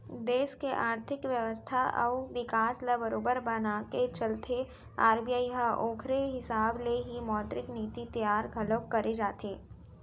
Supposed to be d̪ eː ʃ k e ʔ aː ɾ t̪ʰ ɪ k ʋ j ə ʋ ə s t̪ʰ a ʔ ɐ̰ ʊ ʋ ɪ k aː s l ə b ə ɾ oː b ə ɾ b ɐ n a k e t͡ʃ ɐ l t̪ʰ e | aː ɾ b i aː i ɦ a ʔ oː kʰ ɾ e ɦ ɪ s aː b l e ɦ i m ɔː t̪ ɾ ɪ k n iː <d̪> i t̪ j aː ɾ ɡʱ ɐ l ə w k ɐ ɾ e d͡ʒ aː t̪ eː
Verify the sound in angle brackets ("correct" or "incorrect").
incorrect